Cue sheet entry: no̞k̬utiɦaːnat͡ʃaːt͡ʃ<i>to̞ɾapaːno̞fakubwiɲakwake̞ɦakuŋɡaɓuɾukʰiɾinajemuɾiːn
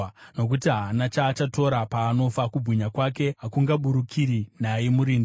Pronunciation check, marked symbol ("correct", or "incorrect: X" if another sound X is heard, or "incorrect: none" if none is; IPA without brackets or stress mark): incorrect: a